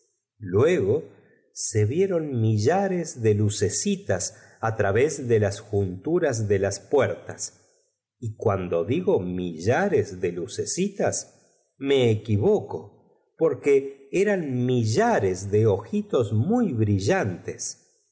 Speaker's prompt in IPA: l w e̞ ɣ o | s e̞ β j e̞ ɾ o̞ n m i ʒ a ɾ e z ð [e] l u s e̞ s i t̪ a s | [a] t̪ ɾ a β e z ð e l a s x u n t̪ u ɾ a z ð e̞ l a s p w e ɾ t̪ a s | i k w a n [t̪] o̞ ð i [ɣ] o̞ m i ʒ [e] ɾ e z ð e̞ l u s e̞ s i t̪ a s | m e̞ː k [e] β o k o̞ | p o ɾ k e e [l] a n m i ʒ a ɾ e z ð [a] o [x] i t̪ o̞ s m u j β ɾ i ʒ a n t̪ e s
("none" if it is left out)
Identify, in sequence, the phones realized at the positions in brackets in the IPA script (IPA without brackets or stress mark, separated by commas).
e, a, d̪, ɣ, a, i, ɾ, e, x